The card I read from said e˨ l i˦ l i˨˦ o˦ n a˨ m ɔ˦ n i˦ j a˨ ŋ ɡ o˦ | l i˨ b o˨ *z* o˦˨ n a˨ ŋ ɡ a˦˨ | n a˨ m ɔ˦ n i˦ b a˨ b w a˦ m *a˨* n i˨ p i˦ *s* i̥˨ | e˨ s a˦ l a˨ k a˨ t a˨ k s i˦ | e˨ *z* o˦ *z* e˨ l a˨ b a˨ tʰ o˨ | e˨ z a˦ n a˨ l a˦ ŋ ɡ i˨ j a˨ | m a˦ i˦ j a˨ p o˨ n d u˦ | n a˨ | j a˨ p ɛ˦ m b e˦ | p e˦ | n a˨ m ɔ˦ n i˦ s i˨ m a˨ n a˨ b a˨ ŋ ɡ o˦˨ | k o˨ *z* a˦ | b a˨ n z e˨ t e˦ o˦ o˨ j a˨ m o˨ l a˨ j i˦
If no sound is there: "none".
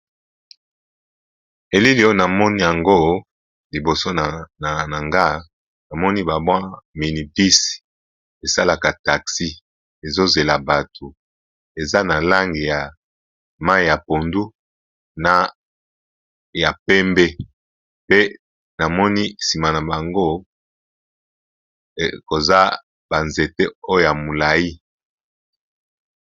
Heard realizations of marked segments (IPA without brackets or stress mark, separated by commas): s, i˨, s, z, z, z